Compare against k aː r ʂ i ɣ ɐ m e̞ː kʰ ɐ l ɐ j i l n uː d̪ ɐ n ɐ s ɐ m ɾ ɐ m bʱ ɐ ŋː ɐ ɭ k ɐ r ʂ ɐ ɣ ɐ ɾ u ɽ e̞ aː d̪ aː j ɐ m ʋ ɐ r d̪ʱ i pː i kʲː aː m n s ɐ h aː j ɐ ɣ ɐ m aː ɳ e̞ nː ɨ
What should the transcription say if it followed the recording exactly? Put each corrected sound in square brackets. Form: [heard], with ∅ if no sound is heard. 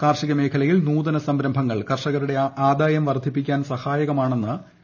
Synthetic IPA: k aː r ʂ i ɣ ɐ m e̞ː kʰ ɐ l ɐ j i l n uː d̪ ɐ n ɐ s ɐ m ɾ ɐ m bʱ ɐ ŋː ɐ ɭ k ɐ r ʂ ɐ ɣ ɐ ɾ u ɽ e̞ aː d̪ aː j ɐ m ʋ ɐ r d̪ʱ i pː i kʲː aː [∅] n s ɐ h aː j ɐ ɣ ɐ m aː ɳ e̞ nː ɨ